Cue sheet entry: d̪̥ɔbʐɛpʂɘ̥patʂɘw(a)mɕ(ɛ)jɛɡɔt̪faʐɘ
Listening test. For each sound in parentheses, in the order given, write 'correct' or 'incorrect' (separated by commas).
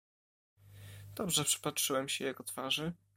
incorrect, correct